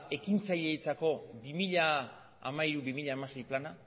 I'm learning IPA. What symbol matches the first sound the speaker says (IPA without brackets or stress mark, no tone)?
e̞